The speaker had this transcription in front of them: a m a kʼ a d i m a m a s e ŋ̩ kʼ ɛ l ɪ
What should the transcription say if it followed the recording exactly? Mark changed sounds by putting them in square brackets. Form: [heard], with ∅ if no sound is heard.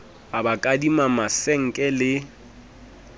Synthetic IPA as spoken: a [b] a kʼ a d i m a m a s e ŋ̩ kʼ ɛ l ɪ